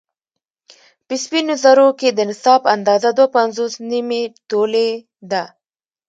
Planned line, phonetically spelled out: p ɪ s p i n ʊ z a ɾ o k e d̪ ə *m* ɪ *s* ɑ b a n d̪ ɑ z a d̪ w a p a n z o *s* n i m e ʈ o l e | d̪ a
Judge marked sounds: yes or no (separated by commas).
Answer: no, yes, yes